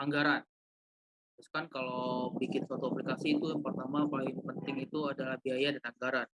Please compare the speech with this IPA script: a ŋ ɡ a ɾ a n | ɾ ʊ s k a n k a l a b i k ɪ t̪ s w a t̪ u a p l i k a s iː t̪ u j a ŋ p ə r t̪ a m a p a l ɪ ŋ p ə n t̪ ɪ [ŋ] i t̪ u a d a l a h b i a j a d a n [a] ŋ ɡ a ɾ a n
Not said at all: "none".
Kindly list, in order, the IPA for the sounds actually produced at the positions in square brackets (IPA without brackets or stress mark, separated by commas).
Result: ŋ, a